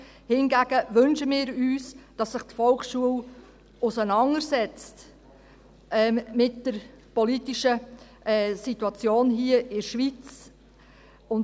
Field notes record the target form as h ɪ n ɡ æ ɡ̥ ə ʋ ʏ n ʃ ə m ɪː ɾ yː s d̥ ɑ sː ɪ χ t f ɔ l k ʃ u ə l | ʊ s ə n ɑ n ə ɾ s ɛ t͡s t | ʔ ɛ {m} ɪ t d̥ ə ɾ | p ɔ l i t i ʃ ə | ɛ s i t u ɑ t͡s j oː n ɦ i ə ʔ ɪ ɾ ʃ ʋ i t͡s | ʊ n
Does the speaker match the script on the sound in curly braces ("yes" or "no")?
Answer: yes